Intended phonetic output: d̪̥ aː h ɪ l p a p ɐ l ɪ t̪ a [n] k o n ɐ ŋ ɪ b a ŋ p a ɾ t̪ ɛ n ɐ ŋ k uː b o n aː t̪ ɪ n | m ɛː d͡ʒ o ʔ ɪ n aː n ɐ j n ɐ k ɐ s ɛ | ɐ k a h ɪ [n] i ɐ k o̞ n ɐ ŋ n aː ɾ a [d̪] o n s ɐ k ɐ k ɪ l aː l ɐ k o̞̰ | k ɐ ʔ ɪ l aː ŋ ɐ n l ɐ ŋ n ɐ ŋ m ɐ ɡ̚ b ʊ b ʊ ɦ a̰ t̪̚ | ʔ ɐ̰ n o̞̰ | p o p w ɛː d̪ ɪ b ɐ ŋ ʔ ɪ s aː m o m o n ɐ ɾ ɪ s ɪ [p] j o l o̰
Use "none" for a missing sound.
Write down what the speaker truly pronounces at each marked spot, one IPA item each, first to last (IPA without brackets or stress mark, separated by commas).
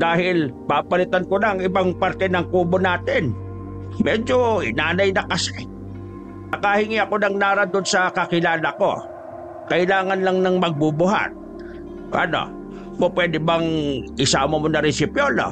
n, ŋ, d̪, p